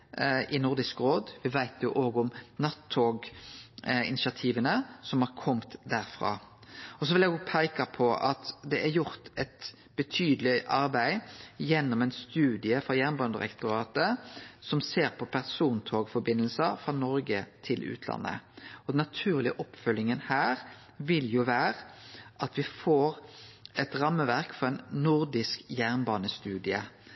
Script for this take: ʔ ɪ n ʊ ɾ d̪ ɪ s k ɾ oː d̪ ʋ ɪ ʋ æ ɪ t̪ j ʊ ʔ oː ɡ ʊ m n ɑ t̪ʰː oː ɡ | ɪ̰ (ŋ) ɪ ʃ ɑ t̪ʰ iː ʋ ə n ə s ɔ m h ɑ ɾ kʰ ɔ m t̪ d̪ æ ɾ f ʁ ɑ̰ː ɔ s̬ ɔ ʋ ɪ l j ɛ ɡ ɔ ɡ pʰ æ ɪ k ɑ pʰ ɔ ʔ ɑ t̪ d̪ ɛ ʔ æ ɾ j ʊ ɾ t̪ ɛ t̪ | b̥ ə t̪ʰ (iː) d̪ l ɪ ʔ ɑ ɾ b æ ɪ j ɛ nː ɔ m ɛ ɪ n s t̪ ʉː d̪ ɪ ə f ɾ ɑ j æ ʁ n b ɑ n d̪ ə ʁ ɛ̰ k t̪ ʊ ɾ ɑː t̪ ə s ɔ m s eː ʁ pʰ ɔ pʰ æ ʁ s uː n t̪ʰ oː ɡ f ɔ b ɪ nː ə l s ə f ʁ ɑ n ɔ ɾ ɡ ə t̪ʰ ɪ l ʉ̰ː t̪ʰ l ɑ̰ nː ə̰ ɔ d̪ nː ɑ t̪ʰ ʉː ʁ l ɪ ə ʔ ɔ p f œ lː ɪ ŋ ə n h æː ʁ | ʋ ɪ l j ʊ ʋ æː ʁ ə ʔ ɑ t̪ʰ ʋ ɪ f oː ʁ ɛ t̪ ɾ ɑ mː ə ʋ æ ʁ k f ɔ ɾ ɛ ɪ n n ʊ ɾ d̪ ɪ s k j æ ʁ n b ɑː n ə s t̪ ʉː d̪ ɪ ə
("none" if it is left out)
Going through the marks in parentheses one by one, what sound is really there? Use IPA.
n, yː

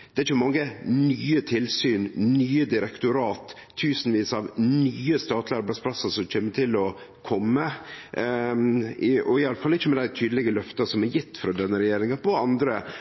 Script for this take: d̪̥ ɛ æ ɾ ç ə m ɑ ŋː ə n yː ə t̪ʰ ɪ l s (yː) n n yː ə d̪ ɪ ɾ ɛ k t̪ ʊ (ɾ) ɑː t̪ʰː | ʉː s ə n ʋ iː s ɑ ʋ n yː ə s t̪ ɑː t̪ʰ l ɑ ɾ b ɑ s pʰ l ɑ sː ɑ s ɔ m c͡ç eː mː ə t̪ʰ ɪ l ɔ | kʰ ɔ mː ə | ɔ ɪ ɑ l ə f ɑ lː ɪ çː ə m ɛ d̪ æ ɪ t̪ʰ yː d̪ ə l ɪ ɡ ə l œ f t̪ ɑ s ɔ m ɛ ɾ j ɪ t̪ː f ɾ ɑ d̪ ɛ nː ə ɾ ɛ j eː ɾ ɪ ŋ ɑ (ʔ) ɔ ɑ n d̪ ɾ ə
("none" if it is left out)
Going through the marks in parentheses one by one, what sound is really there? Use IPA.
yː, ɾ, p

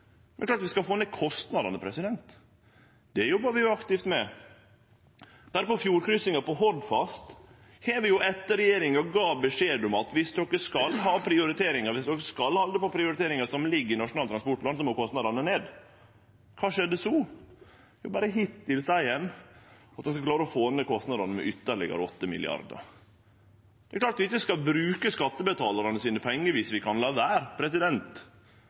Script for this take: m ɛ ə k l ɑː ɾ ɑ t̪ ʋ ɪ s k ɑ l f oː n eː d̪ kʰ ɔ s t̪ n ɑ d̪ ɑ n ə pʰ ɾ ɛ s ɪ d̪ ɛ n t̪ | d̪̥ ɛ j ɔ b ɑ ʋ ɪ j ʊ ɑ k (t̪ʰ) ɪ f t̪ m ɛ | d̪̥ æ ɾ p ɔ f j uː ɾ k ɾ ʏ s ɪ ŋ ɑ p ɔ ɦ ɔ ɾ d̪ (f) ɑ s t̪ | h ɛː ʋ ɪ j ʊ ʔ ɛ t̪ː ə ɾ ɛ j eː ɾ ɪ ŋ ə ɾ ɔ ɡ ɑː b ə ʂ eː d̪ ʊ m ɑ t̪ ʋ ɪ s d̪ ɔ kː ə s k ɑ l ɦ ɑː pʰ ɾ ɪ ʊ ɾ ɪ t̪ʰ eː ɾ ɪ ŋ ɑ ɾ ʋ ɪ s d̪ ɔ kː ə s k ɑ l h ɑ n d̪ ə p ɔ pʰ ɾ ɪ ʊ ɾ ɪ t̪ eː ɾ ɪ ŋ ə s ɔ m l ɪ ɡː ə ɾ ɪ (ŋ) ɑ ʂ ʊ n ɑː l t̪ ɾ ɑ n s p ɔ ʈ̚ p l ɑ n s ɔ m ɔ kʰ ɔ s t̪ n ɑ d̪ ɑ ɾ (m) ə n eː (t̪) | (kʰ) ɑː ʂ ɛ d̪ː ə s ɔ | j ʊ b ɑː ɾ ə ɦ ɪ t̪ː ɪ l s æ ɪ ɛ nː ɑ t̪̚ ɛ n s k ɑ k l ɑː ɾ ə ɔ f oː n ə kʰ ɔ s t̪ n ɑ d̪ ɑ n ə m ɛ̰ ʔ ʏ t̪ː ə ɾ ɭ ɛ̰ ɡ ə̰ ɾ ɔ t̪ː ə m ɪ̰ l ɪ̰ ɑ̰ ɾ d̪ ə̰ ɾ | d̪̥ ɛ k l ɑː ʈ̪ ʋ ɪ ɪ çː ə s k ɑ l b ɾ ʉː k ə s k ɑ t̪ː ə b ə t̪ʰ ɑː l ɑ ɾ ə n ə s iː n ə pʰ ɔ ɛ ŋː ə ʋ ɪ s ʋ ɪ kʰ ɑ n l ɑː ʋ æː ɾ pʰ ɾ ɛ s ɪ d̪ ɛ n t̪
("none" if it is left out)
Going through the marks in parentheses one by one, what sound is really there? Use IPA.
t̪, f, n, n, d̪, kʰ

